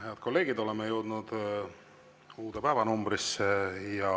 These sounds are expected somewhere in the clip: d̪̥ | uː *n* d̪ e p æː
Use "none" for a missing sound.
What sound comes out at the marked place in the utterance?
none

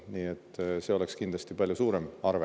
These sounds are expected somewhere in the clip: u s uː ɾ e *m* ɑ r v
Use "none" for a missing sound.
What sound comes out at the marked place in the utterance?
m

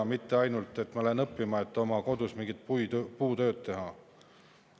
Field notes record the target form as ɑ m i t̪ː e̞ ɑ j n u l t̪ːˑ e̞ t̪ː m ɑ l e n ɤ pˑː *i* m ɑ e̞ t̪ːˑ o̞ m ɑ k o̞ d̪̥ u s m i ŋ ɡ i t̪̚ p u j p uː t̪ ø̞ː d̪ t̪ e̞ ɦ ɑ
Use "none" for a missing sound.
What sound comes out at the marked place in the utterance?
i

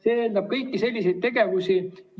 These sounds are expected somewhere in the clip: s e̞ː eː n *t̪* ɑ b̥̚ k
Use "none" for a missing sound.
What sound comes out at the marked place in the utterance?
d̪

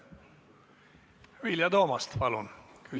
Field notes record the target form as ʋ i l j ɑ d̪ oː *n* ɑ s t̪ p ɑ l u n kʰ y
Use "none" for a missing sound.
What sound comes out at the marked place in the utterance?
m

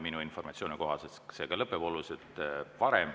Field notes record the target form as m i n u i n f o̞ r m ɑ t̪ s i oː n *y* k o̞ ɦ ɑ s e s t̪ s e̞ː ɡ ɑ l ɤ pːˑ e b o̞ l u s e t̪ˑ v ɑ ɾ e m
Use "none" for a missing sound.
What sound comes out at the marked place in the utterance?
i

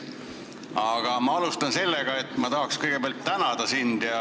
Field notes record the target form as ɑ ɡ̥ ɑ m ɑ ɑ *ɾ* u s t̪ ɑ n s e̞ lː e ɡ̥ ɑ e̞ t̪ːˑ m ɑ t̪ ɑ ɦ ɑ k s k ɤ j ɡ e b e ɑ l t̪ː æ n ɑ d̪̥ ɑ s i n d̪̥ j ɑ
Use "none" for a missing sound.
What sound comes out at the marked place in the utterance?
l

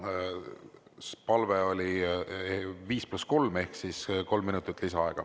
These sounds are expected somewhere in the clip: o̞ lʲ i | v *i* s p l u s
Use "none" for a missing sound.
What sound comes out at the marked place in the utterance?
iː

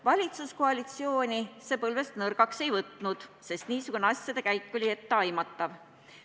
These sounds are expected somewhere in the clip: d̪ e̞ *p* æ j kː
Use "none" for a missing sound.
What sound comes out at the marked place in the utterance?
k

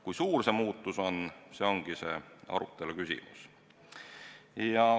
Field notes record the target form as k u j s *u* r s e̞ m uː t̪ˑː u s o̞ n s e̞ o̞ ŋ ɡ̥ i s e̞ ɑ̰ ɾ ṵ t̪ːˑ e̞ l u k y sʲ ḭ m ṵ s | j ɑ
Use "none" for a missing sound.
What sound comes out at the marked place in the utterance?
uː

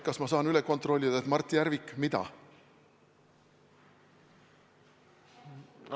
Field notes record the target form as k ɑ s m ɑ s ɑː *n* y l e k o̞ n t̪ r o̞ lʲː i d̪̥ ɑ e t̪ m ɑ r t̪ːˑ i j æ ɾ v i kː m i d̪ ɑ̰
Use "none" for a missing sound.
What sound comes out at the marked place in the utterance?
n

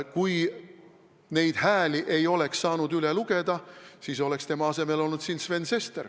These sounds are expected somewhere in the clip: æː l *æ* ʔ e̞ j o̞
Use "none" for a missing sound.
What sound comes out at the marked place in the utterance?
i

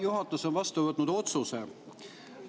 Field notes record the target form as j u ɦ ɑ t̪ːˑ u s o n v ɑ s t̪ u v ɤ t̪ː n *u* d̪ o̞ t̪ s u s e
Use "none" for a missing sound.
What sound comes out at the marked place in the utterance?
u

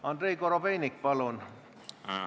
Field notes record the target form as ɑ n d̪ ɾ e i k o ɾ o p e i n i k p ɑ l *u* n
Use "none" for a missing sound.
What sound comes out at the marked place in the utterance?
o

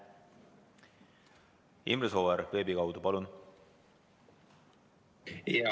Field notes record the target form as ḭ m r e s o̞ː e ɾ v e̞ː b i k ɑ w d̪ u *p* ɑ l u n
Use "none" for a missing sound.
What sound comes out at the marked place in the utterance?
p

